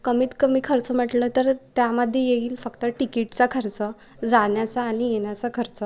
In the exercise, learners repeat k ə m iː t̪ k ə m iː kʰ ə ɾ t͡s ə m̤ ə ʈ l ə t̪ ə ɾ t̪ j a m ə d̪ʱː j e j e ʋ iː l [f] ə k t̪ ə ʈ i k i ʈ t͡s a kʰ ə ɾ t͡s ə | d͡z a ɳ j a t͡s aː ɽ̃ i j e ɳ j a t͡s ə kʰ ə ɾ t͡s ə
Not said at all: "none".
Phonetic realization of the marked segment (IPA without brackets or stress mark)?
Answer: f